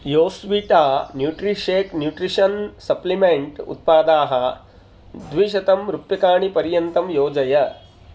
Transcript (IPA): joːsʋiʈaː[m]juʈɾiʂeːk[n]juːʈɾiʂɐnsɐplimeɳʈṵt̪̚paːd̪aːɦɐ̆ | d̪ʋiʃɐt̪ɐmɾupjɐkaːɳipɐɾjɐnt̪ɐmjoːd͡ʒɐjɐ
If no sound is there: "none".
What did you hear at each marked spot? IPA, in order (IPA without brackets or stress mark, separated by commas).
n, n